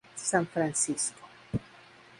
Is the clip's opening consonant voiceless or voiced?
voiceless